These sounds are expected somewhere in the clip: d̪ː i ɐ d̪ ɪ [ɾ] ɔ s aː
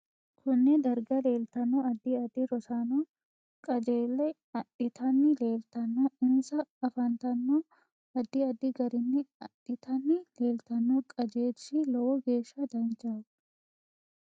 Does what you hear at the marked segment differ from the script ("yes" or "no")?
no